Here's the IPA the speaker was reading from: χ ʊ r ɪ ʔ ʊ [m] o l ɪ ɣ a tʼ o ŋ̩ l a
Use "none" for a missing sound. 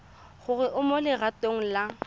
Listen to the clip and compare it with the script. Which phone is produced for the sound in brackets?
m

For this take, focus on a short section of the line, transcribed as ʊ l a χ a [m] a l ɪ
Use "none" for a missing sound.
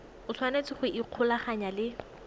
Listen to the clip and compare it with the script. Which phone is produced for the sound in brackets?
ɲ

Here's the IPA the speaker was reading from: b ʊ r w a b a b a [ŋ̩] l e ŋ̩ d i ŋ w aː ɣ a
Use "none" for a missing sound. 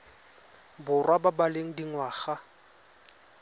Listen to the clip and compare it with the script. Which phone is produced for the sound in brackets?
none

